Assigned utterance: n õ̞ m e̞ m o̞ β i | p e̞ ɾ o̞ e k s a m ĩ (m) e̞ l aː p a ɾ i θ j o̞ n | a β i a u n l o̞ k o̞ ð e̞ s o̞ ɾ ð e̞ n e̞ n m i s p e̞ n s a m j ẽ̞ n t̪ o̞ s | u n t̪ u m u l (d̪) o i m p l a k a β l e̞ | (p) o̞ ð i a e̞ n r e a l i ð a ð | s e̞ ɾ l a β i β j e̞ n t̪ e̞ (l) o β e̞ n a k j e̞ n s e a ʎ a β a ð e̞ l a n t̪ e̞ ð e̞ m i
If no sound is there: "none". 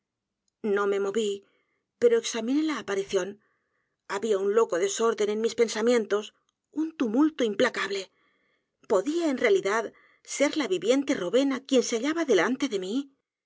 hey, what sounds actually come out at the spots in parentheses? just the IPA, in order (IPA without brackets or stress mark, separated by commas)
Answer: n, t̪, p, r